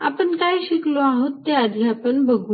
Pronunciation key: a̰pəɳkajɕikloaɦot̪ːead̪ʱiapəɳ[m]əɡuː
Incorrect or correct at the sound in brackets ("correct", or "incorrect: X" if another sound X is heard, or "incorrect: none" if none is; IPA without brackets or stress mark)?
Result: incorrect: b